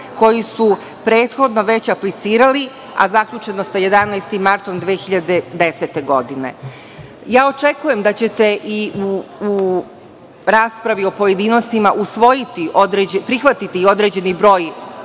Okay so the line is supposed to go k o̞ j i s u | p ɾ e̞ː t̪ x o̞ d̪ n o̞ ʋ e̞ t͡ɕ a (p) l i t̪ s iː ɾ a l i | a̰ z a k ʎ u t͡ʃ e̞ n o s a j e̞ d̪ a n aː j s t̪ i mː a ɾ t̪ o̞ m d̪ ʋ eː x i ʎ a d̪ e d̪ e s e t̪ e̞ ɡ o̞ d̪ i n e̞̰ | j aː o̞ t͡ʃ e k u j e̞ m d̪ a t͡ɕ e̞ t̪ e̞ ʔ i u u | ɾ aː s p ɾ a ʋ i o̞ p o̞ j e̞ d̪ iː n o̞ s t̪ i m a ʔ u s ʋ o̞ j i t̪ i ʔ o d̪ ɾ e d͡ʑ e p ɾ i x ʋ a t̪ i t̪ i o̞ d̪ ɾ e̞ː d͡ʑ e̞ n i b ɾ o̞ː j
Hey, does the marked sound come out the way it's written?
yes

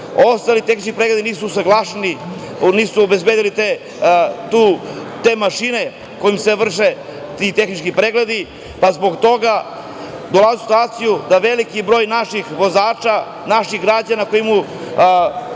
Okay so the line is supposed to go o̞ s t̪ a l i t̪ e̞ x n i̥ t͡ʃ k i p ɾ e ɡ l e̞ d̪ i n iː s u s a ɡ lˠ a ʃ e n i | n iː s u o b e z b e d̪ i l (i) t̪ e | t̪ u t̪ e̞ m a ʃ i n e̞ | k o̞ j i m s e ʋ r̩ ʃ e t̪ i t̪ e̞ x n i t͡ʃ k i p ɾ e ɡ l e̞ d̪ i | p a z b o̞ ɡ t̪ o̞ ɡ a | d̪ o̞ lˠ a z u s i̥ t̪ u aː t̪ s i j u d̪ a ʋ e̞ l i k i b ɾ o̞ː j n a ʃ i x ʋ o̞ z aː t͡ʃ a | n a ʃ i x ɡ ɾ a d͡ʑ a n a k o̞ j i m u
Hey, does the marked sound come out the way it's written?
yes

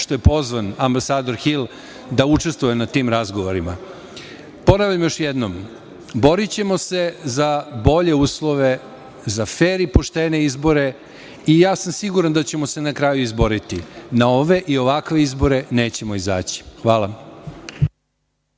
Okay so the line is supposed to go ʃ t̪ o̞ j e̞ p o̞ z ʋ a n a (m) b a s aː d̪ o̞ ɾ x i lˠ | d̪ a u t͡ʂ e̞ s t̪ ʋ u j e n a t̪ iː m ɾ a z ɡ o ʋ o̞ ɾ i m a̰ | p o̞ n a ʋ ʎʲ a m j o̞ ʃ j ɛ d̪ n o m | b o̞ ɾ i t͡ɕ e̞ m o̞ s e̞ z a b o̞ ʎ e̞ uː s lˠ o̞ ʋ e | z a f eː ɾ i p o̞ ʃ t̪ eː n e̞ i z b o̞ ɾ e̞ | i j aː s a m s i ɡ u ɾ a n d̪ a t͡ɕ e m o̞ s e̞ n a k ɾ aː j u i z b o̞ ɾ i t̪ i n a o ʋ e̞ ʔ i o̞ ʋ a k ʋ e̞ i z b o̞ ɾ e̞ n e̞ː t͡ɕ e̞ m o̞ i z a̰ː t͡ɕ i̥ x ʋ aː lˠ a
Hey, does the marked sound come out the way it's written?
yes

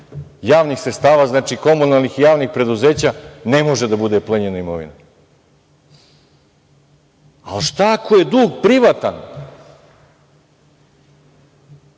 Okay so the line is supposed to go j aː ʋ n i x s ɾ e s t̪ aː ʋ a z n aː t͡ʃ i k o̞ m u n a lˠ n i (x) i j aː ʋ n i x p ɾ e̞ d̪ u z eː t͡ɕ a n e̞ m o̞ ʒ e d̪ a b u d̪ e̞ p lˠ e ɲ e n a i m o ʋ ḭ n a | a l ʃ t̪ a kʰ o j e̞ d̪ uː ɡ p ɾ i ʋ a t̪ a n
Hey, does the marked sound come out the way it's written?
yes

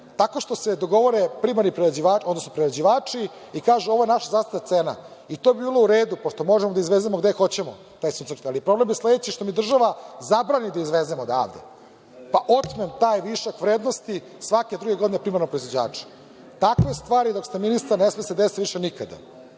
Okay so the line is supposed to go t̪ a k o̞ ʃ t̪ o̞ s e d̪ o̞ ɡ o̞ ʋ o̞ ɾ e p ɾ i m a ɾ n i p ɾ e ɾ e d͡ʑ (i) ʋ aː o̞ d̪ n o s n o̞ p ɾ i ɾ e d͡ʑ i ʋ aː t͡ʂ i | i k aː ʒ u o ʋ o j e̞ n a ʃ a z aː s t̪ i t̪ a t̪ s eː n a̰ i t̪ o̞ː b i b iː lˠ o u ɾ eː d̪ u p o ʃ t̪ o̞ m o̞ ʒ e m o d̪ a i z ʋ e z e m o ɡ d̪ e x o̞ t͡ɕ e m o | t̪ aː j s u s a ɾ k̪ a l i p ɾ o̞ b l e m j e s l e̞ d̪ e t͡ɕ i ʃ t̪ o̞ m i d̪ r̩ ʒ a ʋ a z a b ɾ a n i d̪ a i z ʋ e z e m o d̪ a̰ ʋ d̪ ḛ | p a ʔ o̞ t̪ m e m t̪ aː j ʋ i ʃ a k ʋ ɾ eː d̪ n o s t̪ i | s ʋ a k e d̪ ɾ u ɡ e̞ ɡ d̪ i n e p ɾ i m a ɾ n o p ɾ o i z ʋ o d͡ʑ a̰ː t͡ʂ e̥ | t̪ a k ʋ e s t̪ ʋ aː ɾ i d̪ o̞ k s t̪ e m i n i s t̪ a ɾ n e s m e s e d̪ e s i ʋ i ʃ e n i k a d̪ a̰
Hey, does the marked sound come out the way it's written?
yes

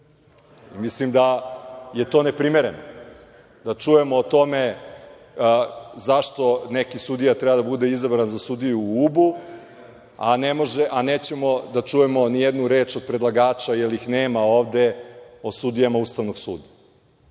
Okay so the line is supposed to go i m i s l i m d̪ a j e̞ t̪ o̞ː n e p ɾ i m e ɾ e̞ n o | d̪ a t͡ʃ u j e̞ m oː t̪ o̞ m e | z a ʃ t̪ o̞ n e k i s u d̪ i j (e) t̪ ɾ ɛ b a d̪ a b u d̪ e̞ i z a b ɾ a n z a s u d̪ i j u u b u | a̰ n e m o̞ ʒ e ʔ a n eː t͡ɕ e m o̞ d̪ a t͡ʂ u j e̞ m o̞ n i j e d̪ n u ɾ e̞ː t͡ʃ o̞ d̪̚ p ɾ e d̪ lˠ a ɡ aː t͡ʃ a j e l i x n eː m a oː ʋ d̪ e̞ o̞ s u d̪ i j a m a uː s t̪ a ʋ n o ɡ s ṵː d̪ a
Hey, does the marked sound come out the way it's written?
no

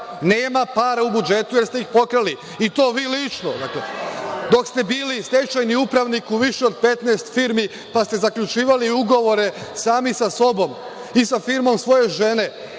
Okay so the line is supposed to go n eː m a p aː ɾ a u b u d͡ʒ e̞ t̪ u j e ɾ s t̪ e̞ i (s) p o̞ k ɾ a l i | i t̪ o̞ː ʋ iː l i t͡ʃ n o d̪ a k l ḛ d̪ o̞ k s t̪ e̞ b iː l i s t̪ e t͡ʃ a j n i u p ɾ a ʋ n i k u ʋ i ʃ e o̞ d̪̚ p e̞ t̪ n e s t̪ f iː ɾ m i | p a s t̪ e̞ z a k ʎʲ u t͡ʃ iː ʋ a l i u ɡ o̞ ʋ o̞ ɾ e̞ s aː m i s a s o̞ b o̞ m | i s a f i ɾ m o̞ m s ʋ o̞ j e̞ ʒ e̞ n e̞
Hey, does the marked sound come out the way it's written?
no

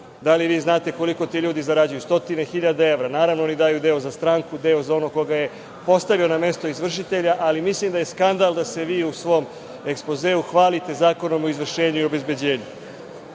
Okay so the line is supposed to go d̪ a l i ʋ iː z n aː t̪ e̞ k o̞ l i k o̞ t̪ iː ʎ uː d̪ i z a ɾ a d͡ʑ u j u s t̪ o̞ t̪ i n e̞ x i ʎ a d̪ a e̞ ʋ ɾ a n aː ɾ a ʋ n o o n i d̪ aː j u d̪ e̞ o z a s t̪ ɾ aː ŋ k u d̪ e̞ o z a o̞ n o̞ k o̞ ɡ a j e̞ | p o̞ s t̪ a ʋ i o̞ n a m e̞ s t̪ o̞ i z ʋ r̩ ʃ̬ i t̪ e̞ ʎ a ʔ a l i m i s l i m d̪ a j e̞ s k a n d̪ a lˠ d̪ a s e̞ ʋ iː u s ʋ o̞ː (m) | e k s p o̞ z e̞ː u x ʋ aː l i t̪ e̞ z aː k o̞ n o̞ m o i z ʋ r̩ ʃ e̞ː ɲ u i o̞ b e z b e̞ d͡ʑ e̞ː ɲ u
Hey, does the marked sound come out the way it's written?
yes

